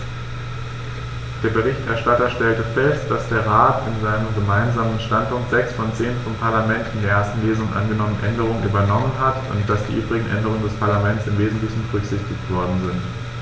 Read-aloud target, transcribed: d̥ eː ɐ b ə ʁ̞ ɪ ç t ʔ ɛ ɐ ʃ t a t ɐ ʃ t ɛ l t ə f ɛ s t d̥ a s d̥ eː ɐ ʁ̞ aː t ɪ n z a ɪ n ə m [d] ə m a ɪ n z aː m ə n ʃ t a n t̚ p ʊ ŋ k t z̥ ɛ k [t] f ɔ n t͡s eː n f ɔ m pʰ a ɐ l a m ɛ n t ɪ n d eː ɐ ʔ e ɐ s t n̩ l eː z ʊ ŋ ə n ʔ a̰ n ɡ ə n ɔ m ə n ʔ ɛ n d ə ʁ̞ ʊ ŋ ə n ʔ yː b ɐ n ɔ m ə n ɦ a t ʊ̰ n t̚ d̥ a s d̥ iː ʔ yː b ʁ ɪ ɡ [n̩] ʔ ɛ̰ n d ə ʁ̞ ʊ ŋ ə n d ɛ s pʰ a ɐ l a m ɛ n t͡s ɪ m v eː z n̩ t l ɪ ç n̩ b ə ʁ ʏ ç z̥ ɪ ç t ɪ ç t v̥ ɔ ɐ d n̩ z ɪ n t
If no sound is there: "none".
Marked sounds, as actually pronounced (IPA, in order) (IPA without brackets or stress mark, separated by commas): ɡ, s, ŋ̩